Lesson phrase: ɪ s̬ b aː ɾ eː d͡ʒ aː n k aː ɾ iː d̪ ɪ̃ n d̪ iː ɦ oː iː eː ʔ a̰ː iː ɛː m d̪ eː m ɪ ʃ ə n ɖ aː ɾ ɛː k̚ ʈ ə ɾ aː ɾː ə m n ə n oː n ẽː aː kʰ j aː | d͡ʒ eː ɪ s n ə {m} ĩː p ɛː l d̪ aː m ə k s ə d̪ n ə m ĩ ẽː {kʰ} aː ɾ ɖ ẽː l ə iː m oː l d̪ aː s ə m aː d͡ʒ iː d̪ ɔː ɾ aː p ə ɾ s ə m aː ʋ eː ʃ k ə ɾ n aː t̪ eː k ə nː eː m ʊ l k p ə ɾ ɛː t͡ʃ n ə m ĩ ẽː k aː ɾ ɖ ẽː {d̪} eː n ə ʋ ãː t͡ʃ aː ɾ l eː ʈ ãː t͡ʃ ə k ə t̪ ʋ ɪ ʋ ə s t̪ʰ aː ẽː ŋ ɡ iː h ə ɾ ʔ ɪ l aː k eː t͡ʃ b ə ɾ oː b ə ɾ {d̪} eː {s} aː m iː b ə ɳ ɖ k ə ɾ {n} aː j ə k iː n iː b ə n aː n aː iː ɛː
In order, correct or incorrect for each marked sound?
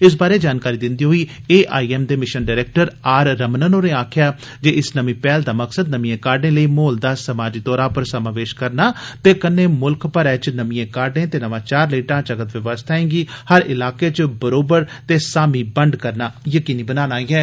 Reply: correct, incorrect: k, incorrect: t̪, incorrect: t̪, correct, correct

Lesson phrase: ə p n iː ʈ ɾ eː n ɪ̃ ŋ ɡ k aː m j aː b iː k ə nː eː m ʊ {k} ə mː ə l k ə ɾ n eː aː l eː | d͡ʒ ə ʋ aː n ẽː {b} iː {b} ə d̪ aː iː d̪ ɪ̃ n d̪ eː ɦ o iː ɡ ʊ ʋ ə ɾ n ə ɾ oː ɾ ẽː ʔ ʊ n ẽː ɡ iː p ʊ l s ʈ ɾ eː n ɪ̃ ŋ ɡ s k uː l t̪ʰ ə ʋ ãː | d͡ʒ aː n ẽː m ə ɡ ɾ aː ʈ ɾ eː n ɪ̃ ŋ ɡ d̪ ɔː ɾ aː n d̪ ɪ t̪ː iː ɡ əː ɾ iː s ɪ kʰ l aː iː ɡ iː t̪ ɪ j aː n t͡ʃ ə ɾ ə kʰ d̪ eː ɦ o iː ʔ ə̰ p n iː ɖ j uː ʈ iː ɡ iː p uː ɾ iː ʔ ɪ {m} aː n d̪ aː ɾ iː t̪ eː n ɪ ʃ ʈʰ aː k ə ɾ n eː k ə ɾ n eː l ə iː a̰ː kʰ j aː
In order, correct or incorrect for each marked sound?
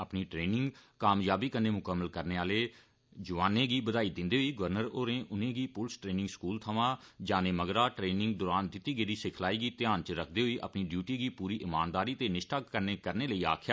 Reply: correct, incorrect: ɡ, correct, correct

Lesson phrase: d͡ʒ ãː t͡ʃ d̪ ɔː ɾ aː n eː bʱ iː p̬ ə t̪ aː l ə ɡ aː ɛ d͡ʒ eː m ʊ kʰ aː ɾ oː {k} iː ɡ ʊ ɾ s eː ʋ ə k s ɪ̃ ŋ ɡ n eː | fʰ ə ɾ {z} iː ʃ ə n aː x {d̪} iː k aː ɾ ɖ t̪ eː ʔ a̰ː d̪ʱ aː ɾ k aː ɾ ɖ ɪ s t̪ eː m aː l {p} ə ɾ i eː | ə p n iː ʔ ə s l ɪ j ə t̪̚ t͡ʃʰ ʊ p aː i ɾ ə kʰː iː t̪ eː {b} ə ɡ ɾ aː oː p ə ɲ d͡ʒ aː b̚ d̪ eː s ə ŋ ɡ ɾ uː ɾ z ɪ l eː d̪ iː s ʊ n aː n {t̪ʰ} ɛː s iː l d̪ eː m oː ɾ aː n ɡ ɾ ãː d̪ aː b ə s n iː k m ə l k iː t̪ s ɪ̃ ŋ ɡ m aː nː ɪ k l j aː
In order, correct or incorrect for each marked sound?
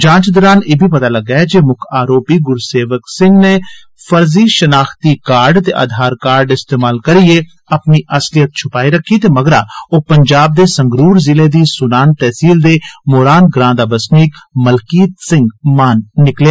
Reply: incorrect: p, correct, incorrect: t̪, incorrect: k, incorrect: m, incorrect: t̪

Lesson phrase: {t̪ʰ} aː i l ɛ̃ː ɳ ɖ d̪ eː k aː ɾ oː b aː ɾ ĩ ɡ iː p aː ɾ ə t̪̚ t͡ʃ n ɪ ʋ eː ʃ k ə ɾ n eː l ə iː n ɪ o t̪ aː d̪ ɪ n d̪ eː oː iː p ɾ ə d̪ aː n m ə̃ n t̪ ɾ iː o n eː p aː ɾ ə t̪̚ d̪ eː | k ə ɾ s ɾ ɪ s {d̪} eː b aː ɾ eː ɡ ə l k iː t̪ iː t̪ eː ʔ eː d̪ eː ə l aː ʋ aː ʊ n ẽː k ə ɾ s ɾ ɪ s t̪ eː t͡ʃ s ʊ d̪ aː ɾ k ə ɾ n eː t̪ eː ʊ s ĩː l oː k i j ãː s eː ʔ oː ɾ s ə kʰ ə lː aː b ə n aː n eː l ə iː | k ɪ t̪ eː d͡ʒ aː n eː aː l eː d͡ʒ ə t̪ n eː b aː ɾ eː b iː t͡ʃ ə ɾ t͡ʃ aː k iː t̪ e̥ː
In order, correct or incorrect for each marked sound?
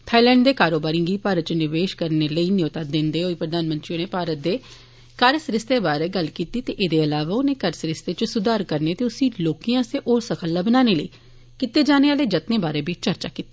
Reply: correct, incorrect: t̪

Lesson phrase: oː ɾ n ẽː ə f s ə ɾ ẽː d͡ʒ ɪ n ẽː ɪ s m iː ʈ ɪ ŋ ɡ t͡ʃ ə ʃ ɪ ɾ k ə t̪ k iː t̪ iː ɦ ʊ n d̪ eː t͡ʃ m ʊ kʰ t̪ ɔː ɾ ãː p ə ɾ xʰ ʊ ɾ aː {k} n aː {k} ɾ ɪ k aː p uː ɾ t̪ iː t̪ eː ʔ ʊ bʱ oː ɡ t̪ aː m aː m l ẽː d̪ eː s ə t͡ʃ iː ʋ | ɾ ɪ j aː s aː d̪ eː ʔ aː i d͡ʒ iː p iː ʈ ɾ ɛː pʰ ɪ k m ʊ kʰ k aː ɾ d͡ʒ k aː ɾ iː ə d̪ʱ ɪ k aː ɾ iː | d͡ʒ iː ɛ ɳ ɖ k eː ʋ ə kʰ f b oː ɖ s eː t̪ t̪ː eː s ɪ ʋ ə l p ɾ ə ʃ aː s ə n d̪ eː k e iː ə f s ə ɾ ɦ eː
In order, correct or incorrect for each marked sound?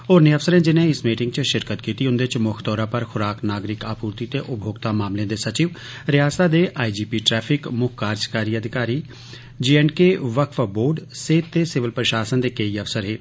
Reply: correct, incorrect: ɡ

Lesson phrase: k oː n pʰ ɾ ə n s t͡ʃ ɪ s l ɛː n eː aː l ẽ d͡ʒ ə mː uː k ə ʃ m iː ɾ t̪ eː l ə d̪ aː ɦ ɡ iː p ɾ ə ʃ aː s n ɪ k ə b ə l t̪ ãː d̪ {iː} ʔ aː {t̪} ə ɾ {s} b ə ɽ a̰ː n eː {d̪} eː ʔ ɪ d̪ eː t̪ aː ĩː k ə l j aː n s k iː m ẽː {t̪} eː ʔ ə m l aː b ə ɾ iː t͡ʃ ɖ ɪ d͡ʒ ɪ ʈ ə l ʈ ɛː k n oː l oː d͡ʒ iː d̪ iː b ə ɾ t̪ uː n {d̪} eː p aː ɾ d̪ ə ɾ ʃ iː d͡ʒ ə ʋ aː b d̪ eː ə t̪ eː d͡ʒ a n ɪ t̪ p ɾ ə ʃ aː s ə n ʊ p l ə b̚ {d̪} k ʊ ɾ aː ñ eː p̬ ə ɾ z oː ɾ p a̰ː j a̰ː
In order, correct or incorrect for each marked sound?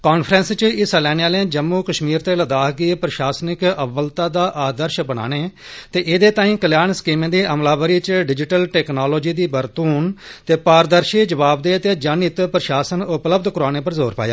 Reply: incorrect: aː, incorrect: d̪, incorrect: ʃ, incorrect: t̪, incorrect: d̪, incorrect: t̪, correct

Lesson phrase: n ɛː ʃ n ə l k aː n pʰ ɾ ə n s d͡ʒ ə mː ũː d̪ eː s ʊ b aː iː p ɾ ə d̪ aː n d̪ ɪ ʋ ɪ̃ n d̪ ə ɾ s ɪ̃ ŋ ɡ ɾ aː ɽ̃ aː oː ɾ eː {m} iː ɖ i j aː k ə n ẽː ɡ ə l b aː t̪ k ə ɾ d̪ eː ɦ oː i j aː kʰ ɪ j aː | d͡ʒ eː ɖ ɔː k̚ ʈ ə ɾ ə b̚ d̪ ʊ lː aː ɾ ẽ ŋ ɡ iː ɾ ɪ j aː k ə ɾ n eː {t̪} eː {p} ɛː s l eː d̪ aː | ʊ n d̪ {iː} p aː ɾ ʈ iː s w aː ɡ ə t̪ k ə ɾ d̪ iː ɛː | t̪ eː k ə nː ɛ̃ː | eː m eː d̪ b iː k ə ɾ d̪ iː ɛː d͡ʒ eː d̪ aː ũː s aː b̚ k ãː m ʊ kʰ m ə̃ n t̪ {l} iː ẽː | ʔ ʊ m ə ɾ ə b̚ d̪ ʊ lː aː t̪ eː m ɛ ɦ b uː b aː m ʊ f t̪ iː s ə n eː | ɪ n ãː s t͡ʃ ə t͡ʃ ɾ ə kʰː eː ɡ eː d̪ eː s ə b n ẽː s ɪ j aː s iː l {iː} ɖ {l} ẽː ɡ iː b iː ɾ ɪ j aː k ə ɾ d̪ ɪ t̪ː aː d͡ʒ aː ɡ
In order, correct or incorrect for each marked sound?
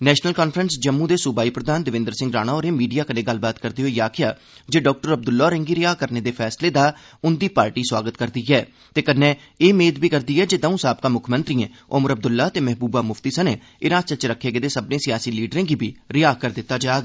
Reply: correct, incorrect: d̪, incorrect: pʰ, correct, incorrect: ɾ, correct, incorrect: ɾ

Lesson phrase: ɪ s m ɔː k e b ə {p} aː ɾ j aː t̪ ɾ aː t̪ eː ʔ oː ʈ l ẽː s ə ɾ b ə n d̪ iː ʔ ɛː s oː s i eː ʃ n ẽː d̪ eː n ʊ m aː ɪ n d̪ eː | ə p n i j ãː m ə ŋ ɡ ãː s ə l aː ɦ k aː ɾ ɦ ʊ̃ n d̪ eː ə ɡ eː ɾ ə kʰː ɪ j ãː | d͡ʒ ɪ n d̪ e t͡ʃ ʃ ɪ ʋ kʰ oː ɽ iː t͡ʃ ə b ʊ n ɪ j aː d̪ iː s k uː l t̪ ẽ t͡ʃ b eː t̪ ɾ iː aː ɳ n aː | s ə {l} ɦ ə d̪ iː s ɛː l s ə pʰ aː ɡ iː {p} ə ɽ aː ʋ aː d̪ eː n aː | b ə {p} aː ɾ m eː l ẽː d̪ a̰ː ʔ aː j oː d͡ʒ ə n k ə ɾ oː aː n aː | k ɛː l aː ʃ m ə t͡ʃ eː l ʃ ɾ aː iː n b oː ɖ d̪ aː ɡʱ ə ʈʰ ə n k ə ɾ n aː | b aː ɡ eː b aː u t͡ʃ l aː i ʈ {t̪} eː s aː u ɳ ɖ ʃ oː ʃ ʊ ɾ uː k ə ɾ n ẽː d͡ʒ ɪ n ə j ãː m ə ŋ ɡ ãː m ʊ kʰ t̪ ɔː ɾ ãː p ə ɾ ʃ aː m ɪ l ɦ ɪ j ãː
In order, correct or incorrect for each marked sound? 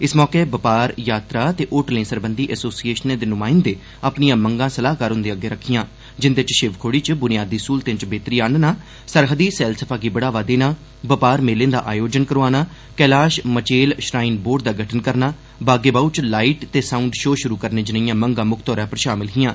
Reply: correct, incorrect: ɾ, incorrect: b, correct, correct

